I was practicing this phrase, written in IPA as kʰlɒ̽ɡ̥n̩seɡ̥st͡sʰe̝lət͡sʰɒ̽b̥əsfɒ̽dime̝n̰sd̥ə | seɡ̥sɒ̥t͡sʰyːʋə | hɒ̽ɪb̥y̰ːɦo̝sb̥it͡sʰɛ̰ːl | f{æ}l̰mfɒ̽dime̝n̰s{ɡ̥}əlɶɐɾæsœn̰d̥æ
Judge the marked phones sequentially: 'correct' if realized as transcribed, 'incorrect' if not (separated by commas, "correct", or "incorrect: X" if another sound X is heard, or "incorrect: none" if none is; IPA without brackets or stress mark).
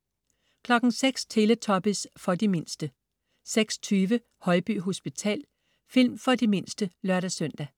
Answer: incorrect: i, incorrect: d̥